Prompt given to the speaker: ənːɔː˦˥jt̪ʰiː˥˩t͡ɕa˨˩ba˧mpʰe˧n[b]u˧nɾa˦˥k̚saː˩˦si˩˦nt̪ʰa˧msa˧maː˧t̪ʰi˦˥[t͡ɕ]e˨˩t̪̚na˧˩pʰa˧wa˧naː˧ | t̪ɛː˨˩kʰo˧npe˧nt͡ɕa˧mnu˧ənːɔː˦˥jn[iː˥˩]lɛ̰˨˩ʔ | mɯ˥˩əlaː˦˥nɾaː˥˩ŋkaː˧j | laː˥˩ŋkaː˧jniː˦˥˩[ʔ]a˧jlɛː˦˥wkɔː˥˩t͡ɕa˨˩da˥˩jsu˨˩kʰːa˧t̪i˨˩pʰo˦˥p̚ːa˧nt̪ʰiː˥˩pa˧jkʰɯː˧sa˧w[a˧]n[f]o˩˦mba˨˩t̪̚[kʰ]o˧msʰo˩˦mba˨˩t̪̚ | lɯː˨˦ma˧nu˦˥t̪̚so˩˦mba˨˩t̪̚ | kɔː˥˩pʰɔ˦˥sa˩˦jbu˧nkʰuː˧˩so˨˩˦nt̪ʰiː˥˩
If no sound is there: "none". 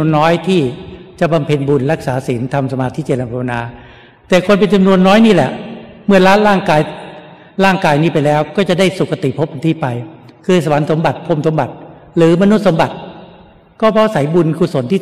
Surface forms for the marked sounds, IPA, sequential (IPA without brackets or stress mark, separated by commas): b, t͡ɕ, iː˥˩, p, a˩˦, s, pʰ